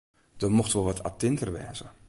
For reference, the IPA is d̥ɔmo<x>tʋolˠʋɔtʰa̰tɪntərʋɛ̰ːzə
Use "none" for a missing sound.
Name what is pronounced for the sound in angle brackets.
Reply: x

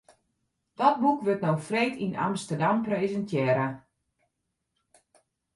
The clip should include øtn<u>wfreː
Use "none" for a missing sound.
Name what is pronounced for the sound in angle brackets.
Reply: o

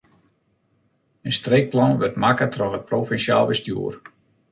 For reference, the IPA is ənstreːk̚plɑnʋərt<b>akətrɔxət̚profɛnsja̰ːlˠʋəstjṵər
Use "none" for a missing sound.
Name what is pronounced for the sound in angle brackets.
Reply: m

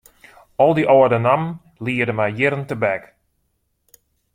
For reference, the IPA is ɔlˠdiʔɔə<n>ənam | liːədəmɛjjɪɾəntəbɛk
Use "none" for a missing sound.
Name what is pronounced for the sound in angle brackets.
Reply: d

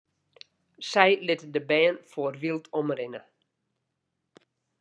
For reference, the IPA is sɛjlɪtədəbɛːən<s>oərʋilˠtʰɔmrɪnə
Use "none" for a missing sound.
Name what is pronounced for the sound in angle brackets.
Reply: f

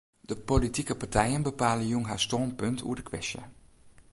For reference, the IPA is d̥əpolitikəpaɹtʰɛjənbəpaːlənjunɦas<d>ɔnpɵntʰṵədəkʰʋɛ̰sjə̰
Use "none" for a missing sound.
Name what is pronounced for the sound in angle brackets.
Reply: t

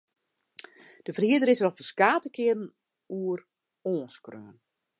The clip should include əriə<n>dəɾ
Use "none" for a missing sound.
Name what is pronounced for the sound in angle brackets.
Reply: none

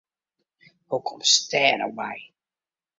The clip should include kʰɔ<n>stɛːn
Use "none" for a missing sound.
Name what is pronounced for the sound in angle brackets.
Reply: m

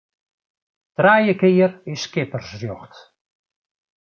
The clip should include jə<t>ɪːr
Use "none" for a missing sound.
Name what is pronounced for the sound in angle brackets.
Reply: k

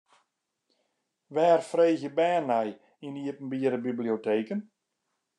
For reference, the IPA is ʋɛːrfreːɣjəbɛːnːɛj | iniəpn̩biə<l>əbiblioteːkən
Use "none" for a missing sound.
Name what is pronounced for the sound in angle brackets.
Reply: ɾ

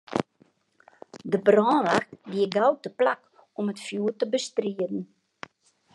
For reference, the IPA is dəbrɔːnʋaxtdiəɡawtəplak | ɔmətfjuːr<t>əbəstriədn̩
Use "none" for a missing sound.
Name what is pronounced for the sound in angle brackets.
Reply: t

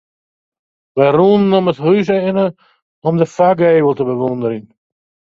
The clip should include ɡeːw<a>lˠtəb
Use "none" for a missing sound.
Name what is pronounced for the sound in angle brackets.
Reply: ə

